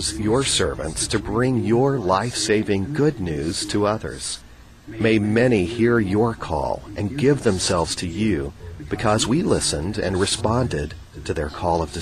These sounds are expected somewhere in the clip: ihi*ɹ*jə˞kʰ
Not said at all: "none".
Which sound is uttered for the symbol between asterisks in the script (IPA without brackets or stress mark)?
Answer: ɹ